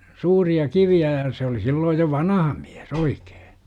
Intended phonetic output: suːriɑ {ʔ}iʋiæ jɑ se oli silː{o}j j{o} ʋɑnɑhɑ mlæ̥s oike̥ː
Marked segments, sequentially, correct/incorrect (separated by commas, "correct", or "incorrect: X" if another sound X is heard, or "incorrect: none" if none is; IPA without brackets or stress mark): incorrect: k, incorrect: oː, correct